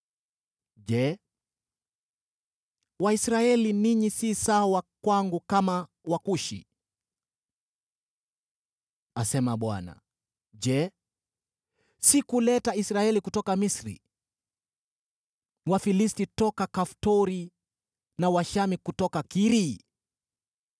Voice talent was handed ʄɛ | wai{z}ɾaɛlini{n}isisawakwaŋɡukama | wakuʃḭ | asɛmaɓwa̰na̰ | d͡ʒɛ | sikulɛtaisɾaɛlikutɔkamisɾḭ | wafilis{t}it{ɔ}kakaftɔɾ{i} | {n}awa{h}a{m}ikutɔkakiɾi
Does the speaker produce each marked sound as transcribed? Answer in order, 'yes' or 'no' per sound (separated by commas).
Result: no, no, yes, yes, yes, yes, no, yes